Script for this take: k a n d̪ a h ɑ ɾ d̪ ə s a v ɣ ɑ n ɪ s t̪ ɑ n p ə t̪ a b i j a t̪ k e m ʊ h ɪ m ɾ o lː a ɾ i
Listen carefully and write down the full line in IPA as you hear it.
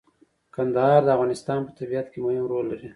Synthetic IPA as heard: k a n d̪ a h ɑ ɾ d̪ ə a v ɣ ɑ n ɪ s t̪ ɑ n p ə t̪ a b i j a t̪ k e m ʊ h ɪ m ɾ o lː a ɾ i